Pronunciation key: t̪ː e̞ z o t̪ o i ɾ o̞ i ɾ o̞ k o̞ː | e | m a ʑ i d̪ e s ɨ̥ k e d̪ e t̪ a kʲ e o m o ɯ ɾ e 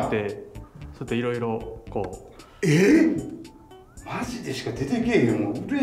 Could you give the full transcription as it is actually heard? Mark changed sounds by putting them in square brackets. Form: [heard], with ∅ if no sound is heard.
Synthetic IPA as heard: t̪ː e̞ [s] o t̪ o i ɾ o̞ i ɾ o̞ k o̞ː | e | m a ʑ i d̪ e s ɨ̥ k [a] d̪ e t̪ [e] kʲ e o m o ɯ ɾ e